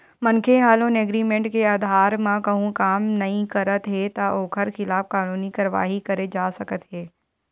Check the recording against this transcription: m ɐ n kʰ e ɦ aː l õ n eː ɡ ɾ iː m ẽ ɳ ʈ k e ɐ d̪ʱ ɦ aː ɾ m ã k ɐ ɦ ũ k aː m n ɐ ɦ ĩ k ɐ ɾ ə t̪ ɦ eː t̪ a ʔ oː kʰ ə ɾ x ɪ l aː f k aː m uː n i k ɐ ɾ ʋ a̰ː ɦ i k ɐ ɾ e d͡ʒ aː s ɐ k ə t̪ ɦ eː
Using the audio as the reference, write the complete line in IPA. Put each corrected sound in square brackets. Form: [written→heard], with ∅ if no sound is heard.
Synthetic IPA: m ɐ n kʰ e ɦ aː l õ n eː ɡ ɾ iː m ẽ ɳ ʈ k e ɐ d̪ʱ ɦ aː ɾ m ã k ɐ ɦ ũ k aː m n ɐ ɦ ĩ k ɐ ɾ ə t̪ ɦ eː t̪ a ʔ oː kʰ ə ɾ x ɪ l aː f k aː [m→n] uː n i k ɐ ɾ ʋ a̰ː ɦ i k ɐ ɾ e d͡ʒ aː s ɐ k ə t̪ ɦ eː